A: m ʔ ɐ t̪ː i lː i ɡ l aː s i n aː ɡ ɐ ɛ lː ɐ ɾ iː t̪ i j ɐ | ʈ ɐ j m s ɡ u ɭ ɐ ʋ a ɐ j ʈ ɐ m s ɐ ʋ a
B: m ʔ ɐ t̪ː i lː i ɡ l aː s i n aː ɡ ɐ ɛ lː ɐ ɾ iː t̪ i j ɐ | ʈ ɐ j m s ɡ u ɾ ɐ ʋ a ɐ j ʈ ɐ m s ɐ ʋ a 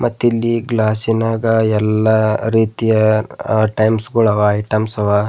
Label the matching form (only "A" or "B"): A